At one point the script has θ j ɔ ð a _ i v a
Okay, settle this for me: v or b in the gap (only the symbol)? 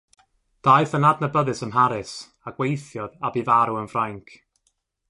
b